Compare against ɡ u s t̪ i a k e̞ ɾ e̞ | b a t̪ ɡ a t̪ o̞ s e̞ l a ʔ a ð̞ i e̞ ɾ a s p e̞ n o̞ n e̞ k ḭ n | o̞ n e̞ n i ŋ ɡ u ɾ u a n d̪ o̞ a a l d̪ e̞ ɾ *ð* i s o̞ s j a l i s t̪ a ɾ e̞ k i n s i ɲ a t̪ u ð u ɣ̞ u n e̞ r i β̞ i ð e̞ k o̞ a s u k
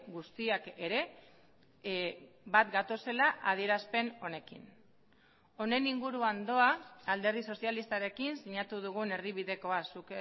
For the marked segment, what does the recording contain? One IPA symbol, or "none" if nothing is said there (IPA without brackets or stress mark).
ð